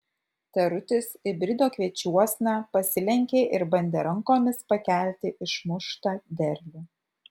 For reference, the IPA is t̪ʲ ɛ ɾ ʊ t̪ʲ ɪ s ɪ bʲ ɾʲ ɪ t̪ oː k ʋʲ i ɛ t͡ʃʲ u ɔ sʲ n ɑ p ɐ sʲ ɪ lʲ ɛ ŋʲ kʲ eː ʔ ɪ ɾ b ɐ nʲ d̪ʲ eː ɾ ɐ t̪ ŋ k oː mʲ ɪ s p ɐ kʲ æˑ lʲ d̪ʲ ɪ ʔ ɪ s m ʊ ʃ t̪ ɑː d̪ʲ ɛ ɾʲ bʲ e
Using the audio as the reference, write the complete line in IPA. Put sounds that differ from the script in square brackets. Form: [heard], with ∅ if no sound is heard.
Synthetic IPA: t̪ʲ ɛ ɾ ʊ t̪ʲ ɪ s ɪ bʲ ɾʲ ɪ [d̪] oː k ʋʲ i ɛ t͡ʃʲ u ɔ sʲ n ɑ p ɐ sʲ ɪ lʲ ɛ ŋʲ kʲ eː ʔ ɪ ɾ b ɐ nʲ d̪ʲ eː ɾ ɐ [∅] ŋ k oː mʲ ɪ s p ɐ kʲ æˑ lʲ [t̪ʲ] ɪ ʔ ɪ [ʃ] m ʊ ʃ t̪ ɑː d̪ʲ ɛ ɾʲ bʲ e